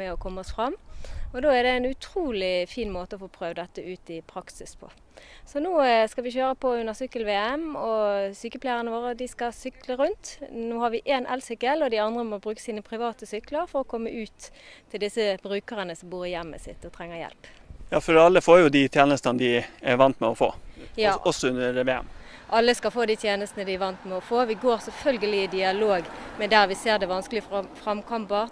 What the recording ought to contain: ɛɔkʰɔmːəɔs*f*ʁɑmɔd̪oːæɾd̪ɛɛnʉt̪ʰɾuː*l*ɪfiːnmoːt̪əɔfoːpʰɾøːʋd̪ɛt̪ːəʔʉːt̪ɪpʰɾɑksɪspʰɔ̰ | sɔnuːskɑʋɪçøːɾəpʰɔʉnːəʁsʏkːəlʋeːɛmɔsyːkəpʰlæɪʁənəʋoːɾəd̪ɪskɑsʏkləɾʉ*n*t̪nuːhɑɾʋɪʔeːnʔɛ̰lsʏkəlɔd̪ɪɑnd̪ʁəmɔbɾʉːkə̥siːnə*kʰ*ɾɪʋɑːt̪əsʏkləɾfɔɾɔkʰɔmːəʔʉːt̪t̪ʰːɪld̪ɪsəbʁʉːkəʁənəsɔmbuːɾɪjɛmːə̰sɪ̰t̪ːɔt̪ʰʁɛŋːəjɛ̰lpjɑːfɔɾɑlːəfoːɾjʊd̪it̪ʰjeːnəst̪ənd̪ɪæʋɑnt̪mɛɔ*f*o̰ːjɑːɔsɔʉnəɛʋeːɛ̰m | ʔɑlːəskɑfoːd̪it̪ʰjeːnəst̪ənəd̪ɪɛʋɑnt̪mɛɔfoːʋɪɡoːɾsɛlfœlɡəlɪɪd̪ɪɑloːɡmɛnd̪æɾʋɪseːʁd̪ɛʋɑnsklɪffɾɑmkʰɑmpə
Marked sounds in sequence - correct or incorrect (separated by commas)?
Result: correct, correct, correct, incorrect, correct